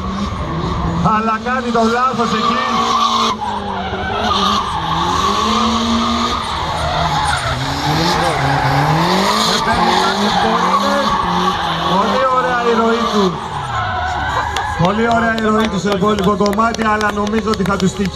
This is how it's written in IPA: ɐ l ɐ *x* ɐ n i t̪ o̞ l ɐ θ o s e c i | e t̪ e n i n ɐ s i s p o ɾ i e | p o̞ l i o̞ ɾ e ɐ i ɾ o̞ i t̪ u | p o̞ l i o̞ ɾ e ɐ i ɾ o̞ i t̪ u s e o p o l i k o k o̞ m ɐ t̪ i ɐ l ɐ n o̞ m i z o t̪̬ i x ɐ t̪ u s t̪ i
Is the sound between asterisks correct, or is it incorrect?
incorrect: k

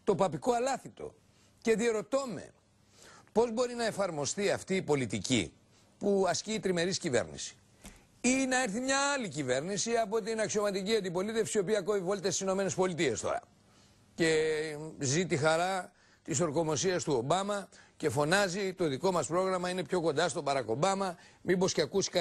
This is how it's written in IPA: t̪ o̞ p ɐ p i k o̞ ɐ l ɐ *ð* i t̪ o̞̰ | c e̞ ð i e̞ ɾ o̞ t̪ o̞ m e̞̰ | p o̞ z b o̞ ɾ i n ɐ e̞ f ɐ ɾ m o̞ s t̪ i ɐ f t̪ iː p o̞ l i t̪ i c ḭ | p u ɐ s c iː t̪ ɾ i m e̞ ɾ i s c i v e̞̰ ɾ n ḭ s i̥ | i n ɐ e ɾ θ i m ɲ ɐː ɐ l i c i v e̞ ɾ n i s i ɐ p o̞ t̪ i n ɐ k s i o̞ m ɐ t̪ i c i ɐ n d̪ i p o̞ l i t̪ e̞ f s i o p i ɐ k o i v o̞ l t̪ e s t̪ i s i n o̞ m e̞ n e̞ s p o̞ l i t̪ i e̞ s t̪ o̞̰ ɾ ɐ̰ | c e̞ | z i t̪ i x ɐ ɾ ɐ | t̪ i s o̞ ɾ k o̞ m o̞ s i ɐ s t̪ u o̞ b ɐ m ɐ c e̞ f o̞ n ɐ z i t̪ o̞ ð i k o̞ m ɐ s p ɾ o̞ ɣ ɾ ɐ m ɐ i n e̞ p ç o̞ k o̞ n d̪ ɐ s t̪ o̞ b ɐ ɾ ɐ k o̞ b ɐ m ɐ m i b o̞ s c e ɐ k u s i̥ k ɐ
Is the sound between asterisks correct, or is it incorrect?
incorrect: θ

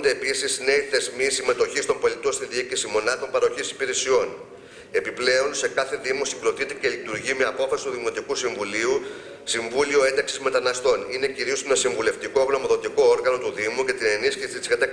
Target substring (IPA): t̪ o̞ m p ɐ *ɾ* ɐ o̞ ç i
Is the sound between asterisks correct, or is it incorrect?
correct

